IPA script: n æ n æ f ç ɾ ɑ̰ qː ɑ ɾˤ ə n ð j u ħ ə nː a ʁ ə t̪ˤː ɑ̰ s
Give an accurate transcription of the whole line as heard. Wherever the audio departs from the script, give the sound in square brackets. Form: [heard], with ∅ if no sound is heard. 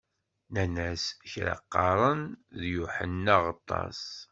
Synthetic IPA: n æ n æ [s] ç ɾ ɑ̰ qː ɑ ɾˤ ə n ð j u ħ ə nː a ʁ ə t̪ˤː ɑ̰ s